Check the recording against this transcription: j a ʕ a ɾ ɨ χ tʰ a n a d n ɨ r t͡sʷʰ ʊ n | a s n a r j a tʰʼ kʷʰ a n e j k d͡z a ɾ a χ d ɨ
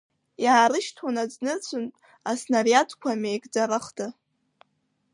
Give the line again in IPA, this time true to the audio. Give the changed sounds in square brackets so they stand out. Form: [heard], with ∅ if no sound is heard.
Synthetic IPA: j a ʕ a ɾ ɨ [ʃ] tʰ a n a [d͡z] n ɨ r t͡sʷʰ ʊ n | a s n a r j a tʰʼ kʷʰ a [m] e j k d͡z a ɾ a χ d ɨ